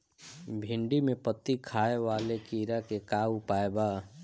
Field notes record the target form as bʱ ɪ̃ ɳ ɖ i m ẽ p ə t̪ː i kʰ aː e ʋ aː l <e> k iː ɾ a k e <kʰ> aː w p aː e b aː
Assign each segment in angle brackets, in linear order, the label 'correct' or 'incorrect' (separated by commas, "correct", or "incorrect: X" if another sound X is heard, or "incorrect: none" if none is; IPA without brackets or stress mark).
correct, incorrect: k